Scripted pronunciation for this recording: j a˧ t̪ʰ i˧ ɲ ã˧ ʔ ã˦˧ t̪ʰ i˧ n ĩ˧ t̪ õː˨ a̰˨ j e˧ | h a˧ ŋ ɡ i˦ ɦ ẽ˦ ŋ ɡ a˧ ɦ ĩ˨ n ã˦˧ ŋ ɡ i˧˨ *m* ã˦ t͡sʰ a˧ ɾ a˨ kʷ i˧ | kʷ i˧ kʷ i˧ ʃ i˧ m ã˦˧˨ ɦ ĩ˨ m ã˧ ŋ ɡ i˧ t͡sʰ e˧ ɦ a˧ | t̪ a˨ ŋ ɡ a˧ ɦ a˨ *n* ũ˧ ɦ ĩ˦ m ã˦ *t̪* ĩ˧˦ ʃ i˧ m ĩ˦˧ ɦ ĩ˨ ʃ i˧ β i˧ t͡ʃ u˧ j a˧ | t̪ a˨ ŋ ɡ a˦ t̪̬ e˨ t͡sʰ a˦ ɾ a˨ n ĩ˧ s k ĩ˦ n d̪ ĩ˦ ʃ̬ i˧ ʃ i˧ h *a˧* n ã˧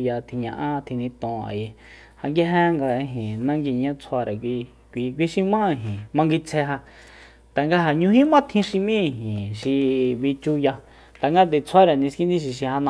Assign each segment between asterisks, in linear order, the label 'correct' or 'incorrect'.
incorrect: ɲ, incorrect: ɲ, incorrect: t̪ʰ, correct

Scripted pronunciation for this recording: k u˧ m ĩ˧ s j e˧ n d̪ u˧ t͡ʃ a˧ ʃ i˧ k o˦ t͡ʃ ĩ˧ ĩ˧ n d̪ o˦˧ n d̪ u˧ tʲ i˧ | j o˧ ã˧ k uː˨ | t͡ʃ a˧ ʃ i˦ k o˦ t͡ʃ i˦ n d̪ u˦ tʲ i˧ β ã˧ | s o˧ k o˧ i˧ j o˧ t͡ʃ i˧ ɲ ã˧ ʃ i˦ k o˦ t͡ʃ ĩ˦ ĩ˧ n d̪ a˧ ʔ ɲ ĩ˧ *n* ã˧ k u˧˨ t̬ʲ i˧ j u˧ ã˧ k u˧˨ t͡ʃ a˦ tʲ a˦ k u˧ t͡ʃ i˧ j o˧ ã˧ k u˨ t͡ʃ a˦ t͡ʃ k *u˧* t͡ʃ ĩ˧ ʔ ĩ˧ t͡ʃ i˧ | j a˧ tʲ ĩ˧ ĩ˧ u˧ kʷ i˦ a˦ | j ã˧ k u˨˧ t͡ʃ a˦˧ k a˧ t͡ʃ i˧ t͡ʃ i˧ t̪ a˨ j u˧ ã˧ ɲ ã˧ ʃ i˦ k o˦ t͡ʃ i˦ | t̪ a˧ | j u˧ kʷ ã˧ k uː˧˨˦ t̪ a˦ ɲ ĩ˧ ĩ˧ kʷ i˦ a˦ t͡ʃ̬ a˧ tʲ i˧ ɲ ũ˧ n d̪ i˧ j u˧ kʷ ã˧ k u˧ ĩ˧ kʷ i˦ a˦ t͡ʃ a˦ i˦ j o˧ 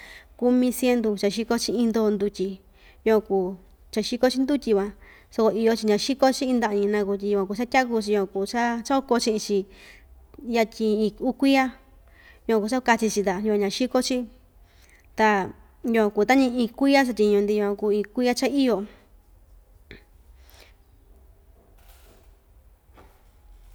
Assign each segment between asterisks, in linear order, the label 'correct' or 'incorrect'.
correct, incorrect: o˧

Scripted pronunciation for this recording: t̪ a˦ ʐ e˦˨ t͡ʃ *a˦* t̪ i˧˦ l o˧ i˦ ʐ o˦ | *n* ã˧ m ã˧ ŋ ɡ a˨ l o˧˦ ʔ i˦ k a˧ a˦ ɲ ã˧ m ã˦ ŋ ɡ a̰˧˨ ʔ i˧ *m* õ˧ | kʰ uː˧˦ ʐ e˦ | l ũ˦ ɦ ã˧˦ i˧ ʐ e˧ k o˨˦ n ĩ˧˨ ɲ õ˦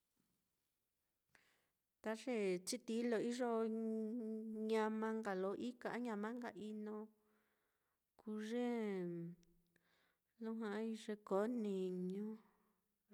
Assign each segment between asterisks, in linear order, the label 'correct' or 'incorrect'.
incorrect: i˦, incorrect: ɲ, incorrect: n

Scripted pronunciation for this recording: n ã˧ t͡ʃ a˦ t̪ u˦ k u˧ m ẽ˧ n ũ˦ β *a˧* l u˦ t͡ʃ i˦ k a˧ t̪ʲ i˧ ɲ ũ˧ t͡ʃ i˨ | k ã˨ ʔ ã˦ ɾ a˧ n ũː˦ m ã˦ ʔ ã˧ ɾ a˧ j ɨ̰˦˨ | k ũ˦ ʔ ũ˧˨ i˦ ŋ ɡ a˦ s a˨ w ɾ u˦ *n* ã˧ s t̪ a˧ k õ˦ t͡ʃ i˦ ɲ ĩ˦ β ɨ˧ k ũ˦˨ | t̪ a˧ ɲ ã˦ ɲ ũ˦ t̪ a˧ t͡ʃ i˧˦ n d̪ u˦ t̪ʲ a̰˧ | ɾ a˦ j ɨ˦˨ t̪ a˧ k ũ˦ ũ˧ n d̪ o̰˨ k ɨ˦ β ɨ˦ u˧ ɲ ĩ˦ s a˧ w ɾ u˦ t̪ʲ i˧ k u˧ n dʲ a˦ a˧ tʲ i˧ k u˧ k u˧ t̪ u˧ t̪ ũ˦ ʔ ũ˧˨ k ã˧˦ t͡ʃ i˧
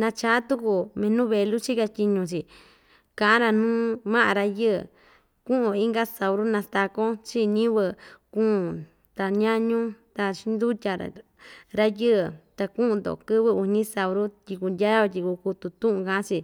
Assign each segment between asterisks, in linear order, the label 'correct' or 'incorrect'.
incorrect: e˧, correct

